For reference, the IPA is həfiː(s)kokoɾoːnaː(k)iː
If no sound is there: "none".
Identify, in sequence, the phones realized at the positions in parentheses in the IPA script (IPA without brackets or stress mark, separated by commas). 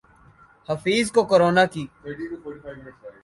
z, k